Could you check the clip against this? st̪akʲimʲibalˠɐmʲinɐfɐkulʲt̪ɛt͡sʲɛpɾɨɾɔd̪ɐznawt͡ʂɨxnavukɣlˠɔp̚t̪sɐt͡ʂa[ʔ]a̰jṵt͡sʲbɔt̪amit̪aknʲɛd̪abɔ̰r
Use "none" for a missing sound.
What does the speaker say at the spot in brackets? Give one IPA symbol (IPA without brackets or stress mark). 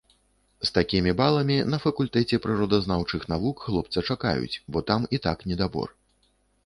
k